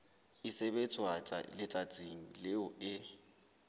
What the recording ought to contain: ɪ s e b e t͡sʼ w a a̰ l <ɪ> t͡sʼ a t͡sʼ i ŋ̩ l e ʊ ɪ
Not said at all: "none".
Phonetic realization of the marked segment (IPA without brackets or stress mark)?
ɪ